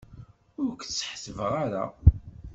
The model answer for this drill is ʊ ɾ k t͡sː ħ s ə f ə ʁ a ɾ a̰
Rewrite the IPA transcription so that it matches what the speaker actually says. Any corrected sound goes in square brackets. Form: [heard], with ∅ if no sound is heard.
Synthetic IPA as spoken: ʊ ɾ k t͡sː ħ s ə [v] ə ʁ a ɾ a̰